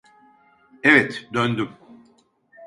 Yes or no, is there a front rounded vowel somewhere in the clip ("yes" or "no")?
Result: yes